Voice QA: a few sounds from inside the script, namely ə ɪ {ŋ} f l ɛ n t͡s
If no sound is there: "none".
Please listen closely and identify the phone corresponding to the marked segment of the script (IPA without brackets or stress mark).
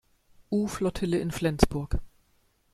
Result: n